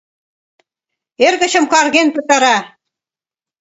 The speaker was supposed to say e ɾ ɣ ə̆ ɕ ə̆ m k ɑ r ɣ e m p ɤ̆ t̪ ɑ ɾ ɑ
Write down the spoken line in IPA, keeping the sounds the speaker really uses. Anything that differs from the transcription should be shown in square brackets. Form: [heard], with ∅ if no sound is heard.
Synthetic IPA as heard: e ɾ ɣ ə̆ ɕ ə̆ m k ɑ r ɣ e [n] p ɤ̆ t̪ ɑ ɾ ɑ